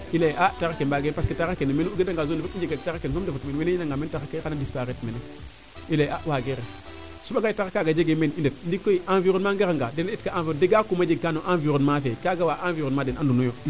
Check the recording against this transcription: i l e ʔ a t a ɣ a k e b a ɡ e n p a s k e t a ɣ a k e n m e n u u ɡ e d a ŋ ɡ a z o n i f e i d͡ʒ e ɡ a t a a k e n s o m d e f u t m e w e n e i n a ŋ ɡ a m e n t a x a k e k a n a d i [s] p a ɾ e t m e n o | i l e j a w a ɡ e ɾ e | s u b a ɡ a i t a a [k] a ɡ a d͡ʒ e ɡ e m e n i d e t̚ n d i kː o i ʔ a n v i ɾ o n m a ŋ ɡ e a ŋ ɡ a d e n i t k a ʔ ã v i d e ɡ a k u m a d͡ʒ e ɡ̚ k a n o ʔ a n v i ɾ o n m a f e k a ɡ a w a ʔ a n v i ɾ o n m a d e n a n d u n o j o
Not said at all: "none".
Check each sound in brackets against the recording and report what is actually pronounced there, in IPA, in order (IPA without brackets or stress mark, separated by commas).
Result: s, k